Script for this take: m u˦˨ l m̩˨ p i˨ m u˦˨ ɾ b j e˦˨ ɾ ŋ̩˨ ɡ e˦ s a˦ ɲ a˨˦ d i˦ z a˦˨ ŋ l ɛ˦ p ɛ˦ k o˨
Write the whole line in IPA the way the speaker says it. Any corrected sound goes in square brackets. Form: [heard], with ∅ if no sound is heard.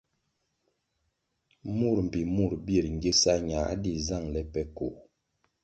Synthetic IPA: m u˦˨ [ɾ] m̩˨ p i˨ m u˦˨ ɾ b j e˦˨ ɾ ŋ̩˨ ɡ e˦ s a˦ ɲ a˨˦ d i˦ z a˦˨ ŋ l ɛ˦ p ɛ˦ k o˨